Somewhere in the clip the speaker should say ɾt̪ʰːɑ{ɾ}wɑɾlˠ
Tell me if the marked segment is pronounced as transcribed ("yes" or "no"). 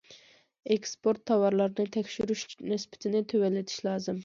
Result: no